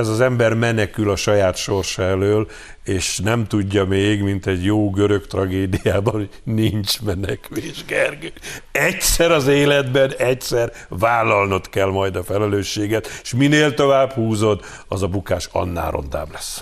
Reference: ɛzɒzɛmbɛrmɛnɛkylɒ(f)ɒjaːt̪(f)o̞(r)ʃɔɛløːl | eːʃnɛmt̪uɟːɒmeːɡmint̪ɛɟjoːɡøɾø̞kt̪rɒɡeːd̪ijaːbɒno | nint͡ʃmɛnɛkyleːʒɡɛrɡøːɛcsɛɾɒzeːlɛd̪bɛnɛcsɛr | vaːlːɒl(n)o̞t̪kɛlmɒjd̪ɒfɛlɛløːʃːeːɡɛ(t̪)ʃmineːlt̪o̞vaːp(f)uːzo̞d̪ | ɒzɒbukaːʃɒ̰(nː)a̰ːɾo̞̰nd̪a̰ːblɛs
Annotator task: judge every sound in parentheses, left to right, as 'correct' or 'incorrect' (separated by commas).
incorrect, incorrect, correct, correct, correct, incorrect, correct